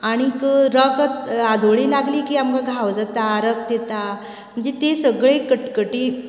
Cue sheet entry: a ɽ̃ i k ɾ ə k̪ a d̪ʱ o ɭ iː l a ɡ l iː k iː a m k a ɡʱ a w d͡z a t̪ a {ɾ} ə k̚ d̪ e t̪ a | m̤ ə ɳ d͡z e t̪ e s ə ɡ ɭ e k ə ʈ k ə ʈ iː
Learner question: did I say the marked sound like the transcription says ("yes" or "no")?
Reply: yes